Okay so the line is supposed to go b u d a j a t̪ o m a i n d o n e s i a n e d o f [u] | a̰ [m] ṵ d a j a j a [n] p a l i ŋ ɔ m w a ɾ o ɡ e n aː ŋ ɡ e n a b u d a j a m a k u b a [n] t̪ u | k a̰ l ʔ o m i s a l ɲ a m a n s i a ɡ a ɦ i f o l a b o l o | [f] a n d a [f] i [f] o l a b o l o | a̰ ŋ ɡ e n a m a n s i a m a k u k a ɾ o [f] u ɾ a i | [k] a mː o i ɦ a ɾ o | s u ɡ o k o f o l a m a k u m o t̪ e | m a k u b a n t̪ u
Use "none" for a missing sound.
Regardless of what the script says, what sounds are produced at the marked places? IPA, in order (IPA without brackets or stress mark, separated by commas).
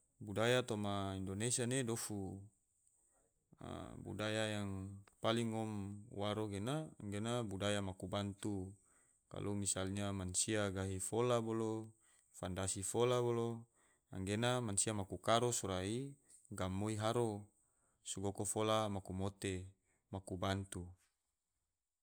u, b, ŋ, n, f, s, f, s, ɡ